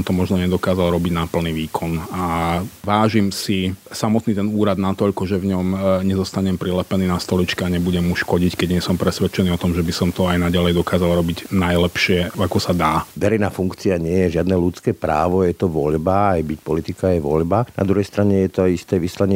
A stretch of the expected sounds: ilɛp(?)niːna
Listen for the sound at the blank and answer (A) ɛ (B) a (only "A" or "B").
A